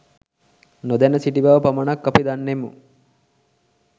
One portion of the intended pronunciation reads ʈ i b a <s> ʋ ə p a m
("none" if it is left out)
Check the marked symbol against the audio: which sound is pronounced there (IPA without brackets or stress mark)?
none